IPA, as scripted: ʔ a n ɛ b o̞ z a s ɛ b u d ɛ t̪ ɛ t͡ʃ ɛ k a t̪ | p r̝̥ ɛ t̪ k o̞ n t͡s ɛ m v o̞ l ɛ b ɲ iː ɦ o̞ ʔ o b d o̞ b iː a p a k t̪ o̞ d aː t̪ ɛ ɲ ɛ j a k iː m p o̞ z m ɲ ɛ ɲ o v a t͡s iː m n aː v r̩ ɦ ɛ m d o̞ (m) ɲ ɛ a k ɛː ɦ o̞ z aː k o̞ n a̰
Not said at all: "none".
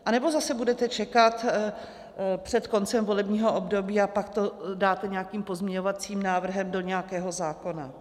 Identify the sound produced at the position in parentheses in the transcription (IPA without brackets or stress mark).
none